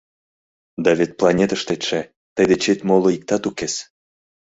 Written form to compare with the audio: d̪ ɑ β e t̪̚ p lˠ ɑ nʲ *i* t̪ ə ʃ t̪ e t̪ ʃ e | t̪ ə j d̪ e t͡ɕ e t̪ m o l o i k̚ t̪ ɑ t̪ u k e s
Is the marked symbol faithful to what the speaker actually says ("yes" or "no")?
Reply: no